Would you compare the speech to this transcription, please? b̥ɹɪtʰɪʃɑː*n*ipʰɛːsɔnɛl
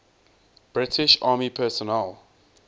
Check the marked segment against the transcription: incorrect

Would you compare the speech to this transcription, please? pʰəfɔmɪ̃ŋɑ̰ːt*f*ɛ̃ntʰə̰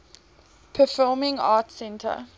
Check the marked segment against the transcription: incorrect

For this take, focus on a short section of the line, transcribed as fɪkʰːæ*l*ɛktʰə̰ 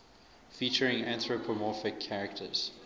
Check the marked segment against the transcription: incorrect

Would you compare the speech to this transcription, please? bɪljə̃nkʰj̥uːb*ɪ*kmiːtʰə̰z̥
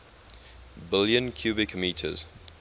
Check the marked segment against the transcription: correct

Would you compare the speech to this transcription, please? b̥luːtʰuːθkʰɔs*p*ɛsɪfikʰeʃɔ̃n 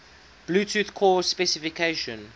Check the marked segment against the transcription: correct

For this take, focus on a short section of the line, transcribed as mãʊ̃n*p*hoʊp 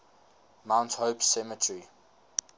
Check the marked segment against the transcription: incorrect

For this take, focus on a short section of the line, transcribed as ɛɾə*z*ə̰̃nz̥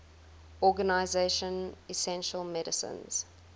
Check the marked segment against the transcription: incorrect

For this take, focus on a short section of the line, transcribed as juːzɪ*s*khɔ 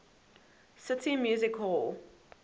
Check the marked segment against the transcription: incorrect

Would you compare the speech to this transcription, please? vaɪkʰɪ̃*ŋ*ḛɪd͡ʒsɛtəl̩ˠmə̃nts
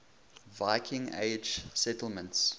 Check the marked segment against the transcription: correct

